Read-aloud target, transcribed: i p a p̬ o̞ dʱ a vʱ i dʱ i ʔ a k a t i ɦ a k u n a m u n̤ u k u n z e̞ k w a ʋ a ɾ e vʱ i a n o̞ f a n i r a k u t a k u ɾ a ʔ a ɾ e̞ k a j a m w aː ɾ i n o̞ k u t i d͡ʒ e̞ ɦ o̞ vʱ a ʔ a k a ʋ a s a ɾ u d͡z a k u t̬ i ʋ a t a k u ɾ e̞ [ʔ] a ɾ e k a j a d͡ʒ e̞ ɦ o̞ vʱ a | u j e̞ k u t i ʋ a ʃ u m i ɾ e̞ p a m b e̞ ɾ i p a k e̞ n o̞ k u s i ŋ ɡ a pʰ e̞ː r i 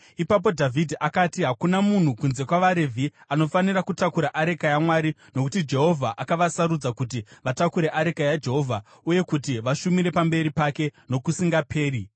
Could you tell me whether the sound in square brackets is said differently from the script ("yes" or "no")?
no